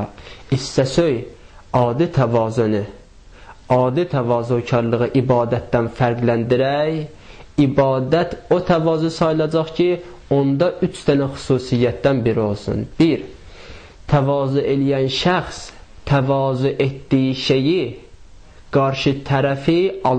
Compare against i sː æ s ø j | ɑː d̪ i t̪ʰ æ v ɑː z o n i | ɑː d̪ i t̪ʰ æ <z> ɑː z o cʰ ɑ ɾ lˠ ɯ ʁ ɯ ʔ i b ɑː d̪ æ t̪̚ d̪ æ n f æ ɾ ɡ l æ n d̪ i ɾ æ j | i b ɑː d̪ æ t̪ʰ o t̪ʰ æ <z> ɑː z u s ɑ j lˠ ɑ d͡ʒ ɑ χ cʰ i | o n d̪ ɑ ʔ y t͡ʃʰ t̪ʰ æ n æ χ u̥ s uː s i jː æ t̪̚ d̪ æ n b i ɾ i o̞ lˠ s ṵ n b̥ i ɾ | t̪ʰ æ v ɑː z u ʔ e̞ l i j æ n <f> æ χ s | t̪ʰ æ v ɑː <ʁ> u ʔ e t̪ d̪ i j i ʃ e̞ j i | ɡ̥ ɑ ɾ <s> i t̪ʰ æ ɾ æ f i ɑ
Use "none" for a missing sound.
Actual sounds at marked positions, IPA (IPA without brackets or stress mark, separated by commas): v, v, ʃ, z, ʃ